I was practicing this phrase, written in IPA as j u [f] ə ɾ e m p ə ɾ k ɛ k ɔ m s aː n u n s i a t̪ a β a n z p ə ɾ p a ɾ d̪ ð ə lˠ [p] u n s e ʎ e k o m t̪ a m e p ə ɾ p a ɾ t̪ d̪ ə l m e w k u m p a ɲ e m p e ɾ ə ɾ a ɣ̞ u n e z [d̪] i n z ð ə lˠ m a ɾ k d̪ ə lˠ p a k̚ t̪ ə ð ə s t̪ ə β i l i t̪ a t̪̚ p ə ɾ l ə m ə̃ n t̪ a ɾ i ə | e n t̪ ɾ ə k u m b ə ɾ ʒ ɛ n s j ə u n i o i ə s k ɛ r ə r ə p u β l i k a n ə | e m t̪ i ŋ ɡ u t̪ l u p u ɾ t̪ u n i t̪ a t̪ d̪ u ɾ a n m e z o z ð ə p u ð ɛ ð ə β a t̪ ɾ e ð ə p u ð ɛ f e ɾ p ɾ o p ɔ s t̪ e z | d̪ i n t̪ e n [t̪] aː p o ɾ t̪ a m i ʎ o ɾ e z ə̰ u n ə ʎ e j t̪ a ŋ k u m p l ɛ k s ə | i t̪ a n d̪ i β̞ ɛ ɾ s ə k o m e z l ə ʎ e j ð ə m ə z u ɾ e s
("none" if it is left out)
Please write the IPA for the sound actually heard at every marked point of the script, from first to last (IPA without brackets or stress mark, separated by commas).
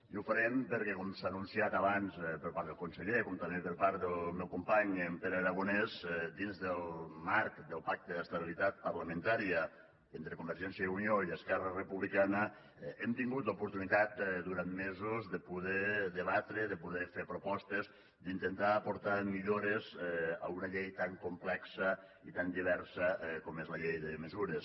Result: f, k, d̪, t̪